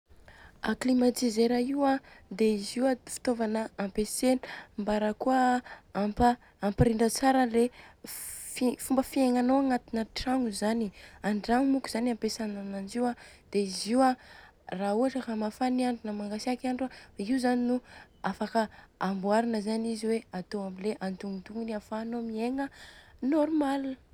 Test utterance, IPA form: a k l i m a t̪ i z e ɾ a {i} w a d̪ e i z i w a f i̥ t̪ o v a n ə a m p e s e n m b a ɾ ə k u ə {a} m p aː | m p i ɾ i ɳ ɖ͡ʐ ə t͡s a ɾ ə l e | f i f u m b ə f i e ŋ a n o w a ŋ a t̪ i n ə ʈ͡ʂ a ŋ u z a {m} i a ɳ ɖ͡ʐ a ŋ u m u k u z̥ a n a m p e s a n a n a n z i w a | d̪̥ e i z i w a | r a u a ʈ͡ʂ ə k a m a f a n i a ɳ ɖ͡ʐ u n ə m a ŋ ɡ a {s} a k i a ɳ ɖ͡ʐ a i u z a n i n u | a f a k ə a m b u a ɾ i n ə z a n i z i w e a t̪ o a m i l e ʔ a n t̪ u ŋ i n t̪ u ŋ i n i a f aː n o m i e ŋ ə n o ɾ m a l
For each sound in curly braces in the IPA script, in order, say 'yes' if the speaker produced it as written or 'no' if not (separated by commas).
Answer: yes, yes, no, yes